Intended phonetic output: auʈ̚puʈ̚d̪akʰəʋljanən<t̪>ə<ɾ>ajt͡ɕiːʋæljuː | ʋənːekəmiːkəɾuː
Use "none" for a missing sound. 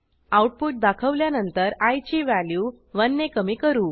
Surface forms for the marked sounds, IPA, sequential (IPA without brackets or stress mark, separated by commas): t̪, ɾ